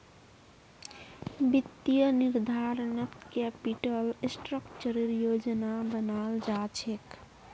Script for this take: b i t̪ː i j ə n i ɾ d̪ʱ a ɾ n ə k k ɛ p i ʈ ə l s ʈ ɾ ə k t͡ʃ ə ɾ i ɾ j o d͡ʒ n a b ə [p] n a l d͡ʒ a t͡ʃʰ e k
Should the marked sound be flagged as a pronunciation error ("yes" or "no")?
yes